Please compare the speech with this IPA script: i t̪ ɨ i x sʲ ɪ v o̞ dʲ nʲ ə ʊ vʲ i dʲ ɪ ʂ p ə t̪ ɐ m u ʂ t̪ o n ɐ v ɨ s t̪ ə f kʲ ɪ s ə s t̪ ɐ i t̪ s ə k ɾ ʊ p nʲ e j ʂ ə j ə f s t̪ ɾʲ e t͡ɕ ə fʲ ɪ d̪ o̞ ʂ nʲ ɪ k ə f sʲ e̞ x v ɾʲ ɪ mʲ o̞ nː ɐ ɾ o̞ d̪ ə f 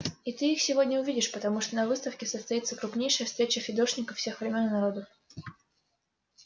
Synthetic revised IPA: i t̪ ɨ i x sʲ ɪ v o̞ dʲ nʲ ə ʊ vʲ i dʲ ɪ ʂ p ə t̪ ɐ m u ʂ t̪ o n ɐ v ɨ s t̪ ə f kʲ ɪ s ə s t̪ ɐ i t̪ s ə k ɾ ʊ p nʲ e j ʂ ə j ə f s t̪ ɾʲ e t͡ɕ ə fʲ ɪ d̪ o̞ ʂ nʲ ɪ k ə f sʲ e̞ x v ɾʲ ɪ mʲ o̞ nː ɐ ɾ o̞ d̪ ə f